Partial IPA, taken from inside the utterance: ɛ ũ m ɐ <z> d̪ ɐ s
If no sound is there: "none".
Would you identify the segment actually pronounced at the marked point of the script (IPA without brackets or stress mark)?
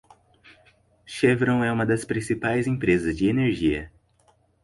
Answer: none